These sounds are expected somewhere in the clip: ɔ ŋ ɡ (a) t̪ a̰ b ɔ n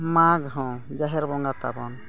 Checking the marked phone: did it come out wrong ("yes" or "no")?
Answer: no